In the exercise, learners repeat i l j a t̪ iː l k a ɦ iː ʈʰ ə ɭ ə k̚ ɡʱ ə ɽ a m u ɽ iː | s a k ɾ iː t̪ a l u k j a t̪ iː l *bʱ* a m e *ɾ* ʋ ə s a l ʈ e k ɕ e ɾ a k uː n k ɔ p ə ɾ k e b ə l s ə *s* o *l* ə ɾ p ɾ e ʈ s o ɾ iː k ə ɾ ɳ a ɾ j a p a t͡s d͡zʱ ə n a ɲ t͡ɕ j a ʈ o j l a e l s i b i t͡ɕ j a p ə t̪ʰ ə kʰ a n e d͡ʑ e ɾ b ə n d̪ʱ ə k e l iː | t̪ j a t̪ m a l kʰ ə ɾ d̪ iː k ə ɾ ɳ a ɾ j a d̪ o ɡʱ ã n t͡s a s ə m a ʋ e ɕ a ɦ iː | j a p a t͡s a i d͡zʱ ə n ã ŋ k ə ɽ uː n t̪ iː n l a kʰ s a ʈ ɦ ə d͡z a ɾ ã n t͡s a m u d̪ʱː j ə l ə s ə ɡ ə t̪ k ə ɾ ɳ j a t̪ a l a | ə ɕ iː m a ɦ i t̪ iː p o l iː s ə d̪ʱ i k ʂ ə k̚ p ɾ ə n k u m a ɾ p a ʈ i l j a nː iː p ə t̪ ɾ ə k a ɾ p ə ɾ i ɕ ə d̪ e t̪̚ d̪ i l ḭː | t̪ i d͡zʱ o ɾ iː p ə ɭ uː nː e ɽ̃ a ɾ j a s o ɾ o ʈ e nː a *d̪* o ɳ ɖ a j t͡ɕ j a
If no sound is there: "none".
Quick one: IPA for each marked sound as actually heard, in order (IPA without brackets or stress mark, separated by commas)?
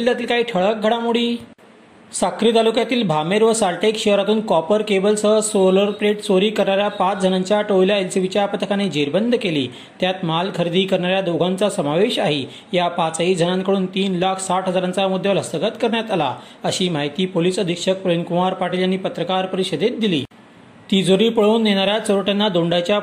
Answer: bʱ, ɾ, s, l, d̪